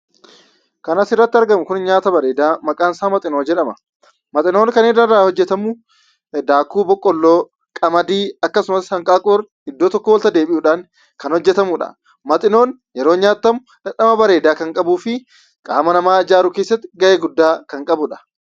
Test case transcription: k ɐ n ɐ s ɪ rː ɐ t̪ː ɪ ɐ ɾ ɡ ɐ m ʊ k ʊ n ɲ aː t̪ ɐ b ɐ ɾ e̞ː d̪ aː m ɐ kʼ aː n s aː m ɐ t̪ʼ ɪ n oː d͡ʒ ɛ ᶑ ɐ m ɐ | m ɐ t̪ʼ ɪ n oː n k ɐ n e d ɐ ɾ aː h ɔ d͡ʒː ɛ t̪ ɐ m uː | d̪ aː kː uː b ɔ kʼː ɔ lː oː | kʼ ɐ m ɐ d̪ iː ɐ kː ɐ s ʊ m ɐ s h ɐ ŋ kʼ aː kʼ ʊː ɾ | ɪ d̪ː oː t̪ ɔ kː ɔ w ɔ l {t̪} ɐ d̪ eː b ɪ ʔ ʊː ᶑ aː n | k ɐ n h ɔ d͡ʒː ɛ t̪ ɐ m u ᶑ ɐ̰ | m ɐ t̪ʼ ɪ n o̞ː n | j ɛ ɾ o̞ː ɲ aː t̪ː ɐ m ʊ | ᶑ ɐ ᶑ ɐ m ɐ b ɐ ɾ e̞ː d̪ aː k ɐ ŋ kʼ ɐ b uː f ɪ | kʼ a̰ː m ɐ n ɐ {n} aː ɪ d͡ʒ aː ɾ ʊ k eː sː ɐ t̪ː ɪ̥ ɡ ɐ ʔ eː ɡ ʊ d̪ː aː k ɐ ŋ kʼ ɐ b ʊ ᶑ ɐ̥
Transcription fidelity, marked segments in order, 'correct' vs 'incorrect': correct, incorrect: m

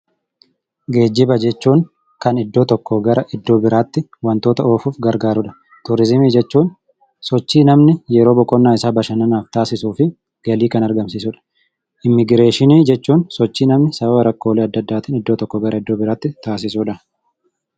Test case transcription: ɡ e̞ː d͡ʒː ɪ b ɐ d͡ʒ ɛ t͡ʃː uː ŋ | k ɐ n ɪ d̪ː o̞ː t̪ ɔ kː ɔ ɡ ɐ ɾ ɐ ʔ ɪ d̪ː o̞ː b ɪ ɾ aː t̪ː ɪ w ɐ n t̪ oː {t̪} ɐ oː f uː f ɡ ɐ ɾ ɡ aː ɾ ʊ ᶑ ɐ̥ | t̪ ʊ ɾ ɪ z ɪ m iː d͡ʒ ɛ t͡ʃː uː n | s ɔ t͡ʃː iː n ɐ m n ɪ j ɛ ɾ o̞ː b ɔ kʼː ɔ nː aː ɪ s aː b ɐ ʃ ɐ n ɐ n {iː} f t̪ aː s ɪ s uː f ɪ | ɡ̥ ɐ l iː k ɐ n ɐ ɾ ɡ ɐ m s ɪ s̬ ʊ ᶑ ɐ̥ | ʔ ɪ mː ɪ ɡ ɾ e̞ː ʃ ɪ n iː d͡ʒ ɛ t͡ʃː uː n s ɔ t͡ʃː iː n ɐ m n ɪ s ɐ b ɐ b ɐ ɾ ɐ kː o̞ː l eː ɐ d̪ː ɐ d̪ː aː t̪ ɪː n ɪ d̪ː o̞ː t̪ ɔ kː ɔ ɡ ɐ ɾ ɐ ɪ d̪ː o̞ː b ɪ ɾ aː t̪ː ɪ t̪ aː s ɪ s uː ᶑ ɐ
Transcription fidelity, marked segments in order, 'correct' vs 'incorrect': correct, incorrect: aː

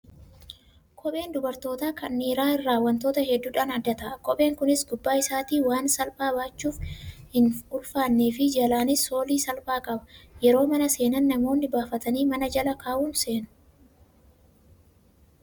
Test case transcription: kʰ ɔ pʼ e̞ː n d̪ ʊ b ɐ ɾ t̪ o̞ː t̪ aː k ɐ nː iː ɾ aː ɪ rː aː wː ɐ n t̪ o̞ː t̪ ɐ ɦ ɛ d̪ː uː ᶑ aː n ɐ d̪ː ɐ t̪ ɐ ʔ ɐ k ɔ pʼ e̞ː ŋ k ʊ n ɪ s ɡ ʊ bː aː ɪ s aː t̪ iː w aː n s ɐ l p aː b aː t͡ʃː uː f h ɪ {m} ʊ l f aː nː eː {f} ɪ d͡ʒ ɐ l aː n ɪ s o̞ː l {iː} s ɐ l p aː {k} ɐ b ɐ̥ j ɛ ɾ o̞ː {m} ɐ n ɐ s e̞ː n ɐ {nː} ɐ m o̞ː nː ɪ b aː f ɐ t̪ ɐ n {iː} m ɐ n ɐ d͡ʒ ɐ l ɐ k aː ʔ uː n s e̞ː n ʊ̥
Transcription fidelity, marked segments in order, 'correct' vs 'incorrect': incorrect: n, correct, correct, incorrect: kʼ, correct, correct, correct

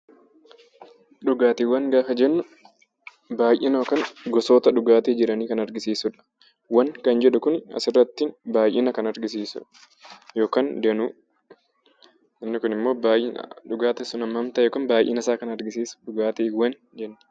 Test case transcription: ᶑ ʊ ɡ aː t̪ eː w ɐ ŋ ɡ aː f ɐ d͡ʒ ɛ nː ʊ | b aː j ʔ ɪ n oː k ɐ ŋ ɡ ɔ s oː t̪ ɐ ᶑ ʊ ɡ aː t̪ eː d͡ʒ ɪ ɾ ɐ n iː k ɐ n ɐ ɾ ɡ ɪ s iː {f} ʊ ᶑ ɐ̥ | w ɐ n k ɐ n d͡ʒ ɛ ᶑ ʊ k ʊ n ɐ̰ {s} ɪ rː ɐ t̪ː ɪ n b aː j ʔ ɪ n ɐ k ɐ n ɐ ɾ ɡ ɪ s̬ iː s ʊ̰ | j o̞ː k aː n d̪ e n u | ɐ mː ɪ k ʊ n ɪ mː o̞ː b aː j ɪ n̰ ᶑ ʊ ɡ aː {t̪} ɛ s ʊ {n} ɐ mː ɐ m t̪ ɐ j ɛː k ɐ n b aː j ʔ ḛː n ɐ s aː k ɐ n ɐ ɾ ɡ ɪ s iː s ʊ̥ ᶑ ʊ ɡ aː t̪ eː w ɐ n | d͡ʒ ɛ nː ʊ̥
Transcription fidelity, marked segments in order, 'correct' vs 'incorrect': incorrect: s, correct, correct, correct

